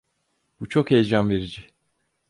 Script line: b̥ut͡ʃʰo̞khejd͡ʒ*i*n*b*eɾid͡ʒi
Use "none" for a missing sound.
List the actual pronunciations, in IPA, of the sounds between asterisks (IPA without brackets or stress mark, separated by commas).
a, v